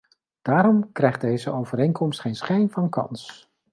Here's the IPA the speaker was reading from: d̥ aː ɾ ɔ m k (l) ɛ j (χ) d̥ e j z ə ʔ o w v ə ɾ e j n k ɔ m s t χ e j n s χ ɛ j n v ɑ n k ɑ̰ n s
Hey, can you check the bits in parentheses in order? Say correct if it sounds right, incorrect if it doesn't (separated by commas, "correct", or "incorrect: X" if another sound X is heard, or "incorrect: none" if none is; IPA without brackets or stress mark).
incorrect: r, correct